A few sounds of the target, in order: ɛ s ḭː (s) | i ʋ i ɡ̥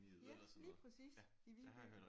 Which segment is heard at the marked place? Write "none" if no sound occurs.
s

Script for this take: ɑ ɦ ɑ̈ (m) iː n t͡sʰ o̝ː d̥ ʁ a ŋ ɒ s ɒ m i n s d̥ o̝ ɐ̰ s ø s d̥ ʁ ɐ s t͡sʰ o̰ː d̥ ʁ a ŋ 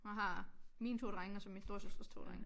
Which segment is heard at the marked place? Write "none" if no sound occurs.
m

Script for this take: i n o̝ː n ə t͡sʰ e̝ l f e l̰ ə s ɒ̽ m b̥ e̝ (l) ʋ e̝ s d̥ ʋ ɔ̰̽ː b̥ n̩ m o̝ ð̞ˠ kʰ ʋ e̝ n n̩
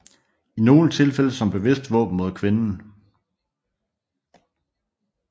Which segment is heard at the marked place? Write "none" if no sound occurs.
none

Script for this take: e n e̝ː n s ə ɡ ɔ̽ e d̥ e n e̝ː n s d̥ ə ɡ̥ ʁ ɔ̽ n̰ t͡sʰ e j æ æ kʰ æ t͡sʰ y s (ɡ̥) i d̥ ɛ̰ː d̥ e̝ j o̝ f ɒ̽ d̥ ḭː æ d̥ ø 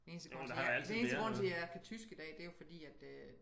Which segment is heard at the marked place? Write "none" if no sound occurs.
ɡ̥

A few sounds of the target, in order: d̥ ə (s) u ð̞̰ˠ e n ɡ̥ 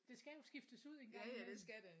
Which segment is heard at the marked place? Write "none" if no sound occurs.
s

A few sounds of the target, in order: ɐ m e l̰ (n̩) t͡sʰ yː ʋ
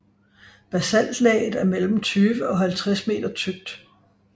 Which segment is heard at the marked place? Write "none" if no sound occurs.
m̩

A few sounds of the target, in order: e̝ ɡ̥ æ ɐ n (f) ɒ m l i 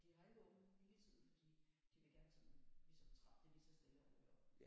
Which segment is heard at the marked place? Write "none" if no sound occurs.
s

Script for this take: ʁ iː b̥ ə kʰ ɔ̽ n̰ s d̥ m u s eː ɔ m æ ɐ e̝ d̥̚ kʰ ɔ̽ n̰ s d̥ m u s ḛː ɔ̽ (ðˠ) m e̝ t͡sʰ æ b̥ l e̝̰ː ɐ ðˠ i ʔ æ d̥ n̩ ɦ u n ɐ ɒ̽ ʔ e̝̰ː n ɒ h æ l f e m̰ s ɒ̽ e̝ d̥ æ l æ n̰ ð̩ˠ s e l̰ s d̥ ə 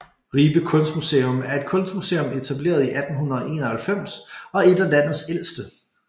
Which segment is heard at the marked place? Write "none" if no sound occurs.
none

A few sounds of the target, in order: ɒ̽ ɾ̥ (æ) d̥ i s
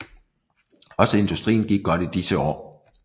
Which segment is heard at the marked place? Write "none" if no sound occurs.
i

